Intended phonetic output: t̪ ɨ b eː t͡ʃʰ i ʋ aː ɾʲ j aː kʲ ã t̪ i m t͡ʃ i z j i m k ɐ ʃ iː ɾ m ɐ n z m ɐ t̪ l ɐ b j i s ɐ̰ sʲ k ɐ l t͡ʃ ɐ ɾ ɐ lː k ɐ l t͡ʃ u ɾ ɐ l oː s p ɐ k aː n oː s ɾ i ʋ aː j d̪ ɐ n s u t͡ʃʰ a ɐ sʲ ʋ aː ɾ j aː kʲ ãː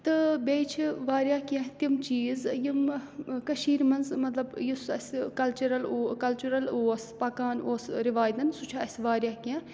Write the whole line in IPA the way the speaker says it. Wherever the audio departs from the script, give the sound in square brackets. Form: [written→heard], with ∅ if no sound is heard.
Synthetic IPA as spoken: t̪ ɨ b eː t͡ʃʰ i ʋ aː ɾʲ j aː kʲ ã t̪ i m t͡ʃ [i→iː] z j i m k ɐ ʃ iː ɾ m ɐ n z m ɐ t̪ l ɐ b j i s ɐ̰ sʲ k ɐ l t͡ʃ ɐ ɾ ɐ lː k ɐ l t͡ʃ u ɾ ɐ l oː s p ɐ k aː n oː s ɾ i ʋ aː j d̪ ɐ n s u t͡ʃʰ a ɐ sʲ ʋ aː ɾ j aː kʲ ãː